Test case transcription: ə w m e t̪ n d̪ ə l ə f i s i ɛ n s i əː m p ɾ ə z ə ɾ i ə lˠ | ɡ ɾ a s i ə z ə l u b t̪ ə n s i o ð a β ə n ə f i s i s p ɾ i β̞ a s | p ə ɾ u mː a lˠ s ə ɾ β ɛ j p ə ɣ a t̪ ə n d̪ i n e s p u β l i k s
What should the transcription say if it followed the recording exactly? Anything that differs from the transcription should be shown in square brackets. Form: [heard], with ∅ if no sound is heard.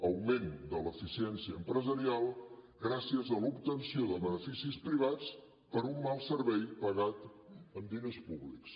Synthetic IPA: ə w m e [∅] n d̪ ə l ə f i s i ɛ n s i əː m p ɾ ə z ə ɾ i [a] lˠ | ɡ ɾ a s i ə z ə l u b t̪ ə n s i o ð [ə] β ə n ə f i s i s p ɾ i β̞ a [t͡s] | p ə ɾ u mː a lˠ s ə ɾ β ɛ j p ə ɣ a t̪ ə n d̪ i n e s p u β l i k s